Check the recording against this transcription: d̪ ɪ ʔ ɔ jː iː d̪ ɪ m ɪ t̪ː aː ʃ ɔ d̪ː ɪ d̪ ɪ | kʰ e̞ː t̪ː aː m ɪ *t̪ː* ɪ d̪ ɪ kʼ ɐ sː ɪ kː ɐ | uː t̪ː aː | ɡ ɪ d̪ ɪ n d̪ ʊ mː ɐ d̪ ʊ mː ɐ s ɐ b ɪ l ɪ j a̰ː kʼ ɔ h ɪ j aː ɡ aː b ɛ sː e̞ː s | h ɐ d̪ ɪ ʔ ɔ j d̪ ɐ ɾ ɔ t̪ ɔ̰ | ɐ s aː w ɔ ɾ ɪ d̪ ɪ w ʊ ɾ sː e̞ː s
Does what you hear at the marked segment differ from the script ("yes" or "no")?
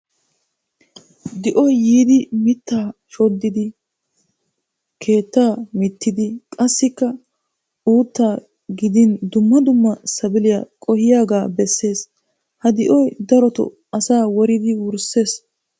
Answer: no